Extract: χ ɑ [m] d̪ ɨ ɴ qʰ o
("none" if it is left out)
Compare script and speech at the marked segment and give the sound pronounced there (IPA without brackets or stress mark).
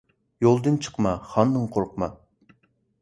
n